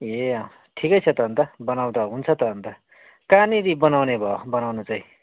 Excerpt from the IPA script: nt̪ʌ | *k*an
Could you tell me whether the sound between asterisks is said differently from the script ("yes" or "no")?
no